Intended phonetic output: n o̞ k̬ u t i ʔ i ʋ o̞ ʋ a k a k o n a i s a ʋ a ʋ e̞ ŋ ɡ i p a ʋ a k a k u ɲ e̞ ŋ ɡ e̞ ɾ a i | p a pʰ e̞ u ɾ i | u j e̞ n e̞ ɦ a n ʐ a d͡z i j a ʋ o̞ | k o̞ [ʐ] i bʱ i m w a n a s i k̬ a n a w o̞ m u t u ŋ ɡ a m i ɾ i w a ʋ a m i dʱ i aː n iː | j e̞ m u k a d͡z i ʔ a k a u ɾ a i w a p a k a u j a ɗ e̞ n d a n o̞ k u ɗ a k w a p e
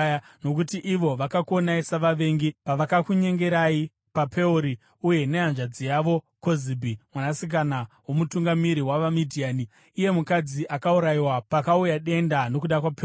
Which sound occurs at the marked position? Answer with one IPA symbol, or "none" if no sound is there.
z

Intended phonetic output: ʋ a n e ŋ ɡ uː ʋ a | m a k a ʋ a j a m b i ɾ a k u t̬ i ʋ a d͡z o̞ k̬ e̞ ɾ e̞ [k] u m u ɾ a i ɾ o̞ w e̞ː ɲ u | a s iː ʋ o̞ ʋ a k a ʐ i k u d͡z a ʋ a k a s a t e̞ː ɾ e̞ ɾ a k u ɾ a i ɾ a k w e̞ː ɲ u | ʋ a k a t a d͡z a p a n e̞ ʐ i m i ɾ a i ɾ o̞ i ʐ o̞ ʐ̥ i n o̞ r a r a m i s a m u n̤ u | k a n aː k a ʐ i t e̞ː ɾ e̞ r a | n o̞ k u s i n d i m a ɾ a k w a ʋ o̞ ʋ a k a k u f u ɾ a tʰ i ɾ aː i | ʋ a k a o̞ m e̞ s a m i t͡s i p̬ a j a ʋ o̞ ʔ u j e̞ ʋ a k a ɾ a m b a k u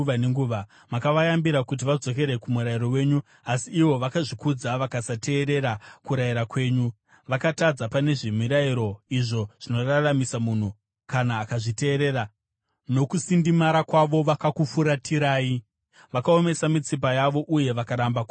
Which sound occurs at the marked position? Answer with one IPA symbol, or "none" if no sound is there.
k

